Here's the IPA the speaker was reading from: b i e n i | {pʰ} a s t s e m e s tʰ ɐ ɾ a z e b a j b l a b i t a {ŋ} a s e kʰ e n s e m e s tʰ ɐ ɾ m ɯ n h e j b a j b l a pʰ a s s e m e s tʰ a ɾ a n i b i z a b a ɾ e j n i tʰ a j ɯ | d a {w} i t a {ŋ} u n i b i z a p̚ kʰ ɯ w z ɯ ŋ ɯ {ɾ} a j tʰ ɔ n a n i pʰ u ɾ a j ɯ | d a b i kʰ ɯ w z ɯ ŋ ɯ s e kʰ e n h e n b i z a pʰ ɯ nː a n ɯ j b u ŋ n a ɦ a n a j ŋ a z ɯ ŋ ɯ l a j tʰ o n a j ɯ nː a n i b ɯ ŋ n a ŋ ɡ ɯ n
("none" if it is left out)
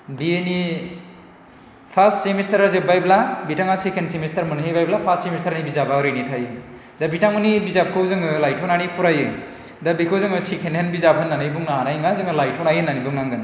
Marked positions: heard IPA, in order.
pʰ, ŋ, b, ŋ, l

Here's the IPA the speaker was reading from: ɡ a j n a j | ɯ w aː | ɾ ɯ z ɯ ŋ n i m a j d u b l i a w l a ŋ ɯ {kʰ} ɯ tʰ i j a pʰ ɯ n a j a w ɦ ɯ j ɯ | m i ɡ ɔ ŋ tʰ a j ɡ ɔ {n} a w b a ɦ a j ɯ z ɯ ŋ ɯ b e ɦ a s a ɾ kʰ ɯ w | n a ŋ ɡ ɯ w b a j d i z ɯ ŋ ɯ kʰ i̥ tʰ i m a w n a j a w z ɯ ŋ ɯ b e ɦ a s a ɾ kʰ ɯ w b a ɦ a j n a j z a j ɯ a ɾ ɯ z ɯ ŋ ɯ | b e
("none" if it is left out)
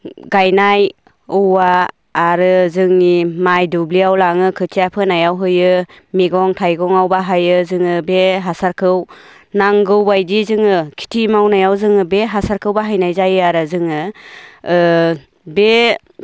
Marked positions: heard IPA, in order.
kʰ, ŋ

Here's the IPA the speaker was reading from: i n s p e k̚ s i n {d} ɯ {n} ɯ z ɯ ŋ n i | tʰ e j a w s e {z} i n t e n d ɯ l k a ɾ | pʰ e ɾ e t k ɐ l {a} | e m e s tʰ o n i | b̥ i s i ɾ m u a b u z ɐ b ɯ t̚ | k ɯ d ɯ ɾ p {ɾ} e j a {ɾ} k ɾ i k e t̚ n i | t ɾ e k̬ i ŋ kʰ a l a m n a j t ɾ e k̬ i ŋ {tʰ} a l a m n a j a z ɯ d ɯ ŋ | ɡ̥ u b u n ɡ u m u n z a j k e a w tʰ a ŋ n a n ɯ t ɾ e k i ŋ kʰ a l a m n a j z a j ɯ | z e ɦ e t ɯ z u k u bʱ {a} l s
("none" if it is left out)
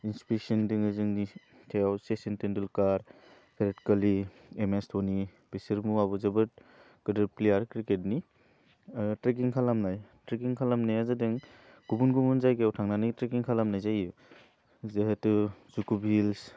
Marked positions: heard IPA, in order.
d, ŋ, s, i, l, ɾ, kʰ, i

